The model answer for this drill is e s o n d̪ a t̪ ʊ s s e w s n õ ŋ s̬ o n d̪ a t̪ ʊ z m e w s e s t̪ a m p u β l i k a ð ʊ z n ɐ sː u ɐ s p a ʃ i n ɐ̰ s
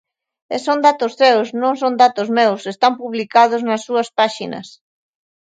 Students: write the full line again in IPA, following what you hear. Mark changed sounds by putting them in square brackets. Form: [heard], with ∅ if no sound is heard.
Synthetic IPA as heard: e s o n d̪ a t̪ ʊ s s e w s n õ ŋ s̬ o n d̪ a t̪ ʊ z m e w s e s t̪ a m p u β l i k a ð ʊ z n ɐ sː u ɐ s p a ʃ i n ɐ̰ s